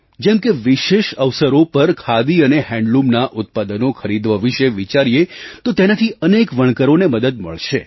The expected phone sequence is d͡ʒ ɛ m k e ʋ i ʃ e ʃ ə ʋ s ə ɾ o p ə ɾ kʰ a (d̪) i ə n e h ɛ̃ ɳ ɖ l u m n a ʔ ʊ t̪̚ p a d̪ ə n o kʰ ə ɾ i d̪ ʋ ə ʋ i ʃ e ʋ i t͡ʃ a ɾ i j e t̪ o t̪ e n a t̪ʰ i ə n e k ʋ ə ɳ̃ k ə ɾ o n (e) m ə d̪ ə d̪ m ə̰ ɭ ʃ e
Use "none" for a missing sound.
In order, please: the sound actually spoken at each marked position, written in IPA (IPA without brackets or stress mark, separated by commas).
d̪, e